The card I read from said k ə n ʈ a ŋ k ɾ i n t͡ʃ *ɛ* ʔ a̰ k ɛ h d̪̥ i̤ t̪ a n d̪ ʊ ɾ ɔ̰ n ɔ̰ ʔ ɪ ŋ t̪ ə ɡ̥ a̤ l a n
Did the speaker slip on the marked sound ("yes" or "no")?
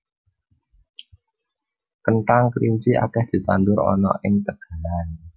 yes